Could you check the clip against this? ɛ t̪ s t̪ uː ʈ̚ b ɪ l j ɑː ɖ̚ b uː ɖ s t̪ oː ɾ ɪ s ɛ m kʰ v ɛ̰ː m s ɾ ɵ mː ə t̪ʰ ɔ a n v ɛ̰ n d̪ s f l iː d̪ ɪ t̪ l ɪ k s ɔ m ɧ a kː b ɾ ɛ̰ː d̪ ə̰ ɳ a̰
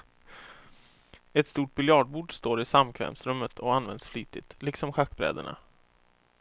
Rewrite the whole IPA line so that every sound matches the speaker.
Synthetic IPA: ɛ t̪ s t̪ uː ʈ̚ b ɪ l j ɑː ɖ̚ b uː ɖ s t̪ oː ɾ ɪ s a m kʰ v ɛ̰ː m s ɾ ɵ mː ə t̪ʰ ɔ a n v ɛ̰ n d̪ s f l iː t̪ ɪ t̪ l ɪ k s ɔ m ɧ a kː b ɾ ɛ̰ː d̪ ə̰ ɳ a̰